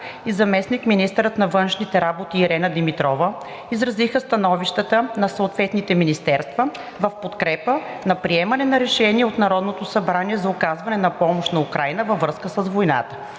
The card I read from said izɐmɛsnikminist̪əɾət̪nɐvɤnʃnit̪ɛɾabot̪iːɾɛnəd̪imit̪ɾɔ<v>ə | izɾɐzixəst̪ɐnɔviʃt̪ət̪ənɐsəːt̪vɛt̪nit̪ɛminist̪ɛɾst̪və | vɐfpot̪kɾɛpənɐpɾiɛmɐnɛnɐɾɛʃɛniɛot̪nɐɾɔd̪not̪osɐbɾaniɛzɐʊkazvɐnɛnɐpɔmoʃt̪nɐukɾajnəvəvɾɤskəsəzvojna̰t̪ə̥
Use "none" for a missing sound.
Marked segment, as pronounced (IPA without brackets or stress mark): v